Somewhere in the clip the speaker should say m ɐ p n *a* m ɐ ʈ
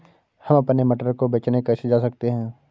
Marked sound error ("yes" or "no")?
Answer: yes